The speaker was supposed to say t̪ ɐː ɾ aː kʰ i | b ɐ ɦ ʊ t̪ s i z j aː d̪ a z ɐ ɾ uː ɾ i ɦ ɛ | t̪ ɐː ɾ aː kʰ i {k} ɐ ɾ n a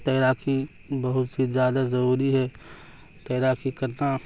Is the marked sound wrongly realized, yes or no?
no